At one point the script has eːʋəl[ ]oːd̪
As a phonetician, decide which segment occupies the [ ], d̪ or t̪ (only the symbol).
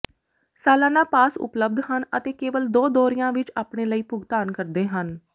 d̪